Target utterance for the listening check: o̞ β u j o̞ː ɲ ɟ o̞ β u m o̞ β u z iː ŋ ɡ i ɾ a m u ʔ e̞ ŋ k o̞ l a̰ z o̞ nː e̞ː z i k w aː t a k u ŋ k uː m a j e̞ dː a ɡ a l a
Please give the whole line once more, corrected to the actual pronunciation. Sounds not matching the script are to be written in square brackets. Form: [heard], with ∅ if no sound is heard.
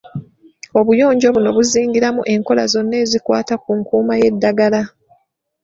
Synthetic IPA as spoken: o̞ β u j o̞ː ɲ ɟ o̞ β u [n] o̞ β u z iː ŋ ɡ i ɾ a m u ʔ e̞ ŋ k o̞ l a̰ z o̞ nː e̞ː z i k w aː t a k u ŋ k uː m a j e̞ dː a ɡ a l a